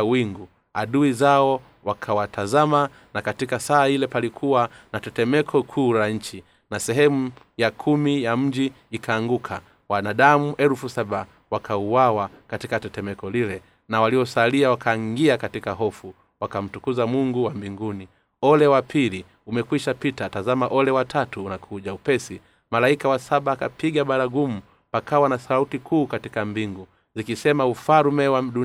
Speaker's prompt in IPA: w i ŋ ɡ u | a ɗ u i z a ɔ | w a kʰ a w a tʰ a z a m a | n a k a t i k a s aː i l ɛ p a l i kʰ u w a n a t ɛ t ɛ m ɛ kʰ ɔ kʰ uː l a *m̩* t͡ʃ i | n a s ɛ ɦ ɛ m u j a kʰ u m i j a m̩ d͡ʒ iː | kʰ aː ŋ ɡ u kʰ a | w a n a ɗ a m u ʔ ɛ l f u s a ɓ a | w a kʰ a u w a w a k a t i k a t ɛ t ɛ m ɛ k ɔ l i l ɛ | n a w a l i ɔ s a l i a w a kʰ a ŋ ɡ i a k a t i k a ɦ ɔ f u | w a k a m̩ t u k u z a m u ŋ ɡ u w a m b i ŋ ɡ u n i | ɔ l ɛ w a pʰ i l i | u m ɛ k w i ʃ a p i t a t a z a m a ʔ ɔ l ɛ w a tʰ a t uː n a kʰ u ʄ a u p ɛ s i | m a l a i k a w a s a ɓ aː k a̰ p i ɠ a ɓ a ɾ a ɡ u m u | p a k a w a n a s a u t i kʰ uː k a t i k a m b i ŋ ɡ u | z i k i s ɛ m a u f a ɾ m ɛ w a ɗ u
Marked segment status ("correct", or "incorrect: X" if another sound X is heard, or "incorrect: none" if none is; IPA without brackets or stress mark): incorrect: ɲ̩